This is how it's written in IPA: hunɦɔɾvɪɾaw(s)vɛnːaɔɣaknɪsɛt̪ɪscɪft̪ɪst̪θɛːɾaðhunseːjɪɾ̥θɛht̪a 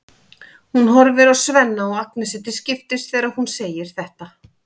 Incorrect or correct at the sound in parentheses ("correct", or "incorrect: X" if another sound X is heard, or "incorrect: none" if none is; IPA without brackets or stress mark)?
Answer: correct